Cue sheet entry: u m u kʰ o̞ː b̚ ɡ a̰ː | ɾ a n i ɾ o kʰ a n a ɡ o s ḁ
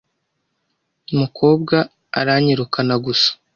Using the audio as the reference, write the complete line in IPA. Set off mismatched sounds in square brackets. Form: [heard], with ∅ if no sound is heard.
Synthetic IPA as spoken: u m u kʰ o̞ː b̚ ɡ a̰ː | ɾ a [ɲ] i ɾ [u] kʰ a n a ɡ [u] s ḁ